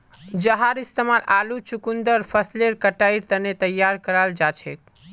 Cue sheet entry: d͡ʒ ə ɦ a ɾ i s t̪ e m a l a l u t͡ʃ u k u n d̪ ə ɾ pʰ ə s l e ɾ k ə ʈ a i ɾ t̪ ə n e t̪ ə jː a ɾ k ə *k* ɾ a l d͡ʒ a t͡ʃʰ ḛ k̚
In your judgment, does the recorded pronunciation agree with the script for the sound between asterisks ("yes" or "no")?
no